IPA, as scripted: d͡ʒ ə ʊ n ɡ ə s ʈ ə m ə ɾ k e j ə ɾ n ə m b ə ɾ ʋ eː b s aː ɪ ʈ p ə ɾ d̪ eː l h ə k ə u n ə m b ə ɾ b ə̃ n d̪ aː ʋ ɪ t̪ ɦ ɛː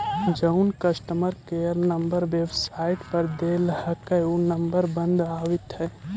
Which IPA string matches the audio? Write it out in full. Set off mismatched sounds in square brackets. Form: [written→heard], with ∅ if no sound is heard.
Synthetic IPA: d͡ʒ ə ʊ n [ɡ→k] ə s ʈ ə m ə ɾ k e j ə ɾ n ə m b ə ɾ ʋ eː b s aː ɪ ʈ p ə ɾ d̪ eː l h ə k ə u n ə m b ə ɾ b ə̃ n d̪ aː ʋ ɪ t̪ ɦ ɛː